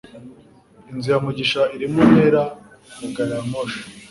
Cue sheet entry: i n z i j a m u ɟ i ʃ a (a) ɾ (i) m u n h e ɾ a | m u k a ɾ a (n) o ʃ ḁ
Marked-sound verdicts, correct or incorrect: incorrect: i, correct, incorrect: m

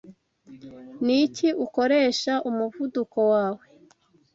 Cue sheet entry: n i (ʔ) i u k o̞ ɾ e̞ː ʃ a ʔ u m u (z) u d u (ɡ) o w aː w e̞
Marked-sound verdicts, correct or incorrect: incorrect: c, incorrect: v, incorrect: k

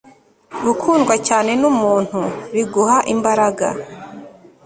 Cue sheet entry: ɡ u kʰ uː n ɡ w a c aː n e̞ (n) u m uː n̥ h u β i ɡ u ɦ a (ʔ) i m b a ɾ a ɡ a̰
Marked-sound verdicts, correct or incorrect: correct, correct

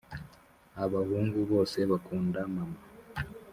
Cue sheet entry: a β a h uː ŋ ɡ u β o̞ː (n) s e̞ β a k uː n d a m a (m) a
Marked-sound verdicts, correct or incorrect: incorrect: none, correct

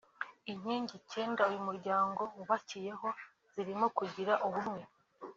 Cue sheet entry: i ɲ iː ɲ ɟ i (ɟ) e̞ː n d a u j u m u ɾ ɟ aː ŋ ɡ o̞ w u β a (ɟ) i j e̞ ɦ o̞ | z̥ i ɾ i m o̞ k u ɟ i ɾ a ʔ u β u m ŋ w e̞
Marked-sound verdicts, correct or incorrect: incorrect: c, incorrect: c

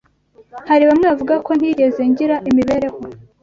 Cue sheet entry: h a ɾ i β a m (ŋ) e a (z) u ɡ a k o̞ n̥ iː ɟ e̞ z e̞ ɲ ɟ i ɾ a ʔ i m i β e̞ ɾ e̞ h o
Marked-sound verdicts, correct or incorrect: correct, incorrect: v

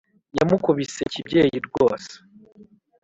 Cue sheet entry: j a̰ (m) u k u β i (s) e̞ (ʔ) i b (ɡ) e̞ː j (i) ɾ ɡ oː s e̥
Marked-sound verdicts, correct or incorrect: correct, correct, incorrect: c, incorrect: ɟ, correct

